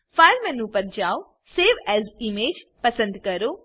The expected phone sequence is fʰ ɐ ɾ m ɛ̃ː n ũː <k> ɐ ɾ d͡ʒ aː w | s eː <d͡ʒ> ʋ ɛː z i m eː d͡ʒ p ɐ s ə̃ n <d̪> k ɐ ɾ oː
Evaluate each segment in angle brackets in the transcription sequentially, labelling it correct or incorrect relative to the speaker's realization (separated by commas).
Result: incorrect, incorrect, correct